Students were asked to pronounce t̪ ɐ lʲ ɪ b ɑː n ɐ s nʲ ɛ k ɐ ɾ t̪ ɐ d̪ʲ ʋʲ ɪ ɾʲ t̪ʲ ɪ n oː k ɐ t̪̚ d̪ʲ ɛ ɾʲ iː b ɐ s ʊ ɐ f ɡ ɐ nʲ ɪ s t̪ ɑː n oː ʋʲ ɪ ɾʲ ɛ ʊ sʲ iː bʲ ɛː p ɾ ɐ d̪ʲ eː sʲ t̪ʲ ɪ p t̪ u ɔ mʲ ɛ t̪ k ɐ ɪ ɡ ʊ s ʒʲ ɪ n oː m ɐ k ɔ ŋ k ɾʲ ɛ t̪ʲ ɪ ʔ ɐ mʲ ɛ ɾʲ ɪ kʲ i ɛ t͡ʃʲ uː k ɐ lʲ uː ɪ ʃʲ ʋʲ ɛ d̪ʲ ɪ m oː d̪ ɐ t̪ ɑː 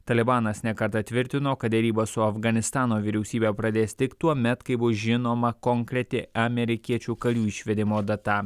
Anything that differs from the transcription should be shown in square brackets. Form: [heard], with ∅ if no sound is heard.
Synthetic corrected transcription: t̪ ɐ lʲ ɪ b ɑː n ɐ s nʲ ɛ k ɐ ɾ t̪ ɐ [t̪ʲ] ʋʲ ɪ ɾʲ t̪ʲ ɪ n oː k ɐ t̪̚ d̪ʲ ɛ ɾʲ iː b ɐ s ʊ ɐ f ɡ ɐ nʲ ɪ s t̪ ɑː n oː ʋʲ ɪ ɾʲ ɛ ʊ sʲ iː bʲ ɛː p ɾ ɐ d̪ʲ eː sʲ t̪ʲ ɪ [k] t̪ u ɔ mʲ ɛ t̪ k ɐ ɪ [b] ʊ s ʒʲ ɪ n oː m ɐ k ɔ ŋ k ɾʲ ɛ t̪ʲ ɪ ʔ ɐ mʲ ɛ ɾʲ ɪ kʲ i ɛ t͡ʃʲ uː k ɐ lʲ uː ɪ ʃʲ ʋʲ ɛ d̪ʲ ɪ m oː d̪ ɐ t̪ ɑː